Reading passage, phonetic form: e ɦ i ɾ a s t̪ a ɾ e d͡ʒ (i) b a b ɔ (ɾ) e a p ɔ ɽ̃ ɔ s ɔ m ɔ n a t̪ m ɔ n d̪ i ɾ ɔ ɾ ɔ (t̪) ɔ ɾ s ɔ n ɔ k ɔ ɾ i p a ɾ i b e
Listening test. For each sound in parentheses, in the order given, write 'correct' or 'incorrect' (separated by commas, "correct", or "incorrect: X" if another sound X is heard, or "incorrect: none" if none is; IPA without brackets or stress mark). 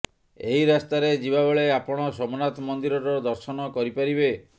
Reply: correct, incorrect: ɭ, incorrect: d̪